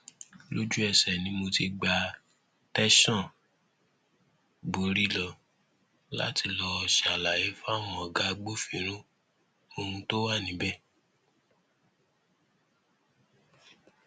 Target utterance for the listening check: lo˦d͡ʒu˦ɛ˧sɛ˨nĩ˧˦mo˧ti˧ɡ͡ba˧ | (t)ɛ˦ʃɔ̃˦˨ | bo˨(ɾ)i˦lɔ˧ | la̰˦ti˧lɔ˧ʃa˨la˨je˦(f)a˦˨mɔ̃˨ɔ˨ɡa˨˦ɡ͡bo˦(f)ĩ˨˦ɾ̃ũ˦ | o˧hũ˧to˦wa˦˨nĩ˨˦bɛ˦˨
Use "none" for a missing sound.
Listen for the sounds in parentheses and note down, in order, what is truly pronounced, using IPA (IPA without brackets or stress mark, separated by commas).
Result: t, ɾ, f, f